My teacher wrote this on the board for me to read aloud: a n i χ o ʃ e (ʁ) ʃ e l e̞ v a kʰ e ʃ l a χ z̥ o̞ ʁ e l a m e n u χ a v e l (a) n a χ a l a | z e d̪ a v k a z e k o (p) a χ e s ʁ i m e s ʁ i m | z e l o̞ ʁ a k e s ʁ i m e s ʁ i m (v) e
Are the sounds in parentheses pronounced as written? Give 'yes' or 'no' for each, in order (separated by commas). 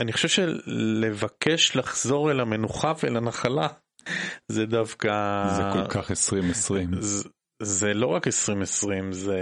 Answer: no, yes, no, no